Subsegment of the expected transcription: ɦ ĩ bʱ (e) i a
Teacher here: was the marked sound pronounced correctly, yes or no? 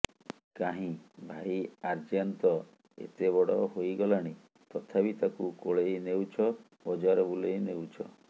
no